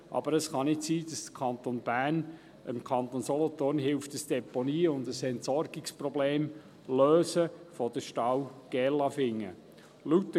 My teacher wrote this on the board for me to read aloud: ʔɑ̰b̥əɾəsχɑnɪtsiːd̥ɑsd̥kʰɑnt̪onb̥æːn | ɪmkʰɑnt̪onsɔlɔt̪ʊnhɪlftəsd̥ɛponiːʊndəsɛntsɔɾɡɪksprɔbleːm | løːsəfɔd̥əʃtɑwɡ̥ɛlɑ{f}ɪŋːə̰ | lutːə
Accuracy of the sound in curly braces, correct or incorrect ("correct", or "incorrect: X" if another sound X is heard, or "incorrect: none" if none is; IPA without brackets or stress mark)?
correct